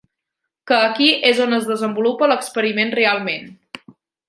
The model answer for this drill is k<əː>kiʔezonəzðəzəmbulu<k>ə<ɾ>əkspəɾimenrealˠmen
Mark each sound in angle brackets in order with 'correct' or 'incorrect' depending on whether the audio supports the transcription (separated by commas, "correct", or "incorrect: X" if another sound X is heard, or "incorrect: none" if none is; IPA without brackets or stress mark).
correct, incorrect: p, incorrect: l